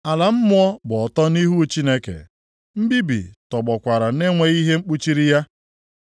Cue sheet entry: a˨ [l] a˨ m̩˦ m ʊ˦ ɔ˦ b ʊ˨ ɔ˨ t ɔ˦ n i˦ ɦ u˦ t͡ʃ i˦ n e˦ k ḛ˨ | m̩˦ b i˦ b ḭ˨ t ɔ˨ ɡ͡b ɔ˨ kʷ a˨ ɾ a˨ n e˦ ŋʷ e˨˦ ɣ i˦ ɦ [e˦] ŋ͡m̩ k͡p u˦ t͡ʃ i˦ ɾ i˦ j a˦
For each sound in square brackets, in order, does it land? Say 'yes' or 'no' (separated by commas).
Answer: yes, yes